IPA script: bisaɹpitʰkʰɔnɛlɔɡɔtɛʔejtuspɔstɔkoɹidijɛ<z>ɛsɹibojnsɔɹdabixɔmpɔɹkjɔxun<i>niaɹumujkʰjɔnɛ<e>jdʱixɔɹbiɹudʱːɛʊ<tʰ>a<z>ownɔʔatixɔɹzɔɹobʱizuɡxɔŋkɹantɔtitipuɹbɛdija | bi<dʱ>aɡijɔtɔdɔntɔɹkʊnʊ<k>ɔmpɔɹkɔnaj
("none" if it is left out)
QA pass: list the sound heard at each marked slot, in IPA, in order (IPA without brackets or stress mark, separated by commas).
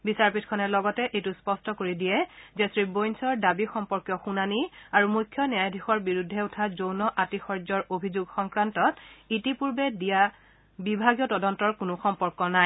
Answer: z, a, a, tʰ, z, bʱ, x